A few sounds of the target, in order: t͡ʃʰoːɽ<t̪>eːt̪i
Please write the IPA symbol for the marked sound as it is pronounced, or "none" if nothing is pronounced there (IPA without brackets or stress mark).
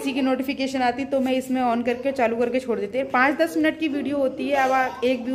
d̪